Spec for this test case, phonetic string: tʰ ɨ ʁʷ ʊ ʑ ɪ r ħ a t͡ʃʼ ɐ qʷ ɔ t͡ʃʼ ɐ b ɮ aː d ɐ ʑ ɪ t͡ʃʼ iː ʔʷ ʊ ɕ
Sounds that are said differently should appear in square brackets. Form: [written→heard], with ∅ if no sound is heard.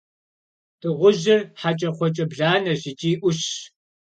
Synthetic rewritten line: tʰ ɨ ʁʷ ʊ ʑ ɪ r ħ a t͡ʃʼ ɐ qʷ ɔ t͡ʃʼ ɐ b ɮ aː [d→n] ɐ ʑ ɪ t͡ʃʼ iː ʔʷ ʊ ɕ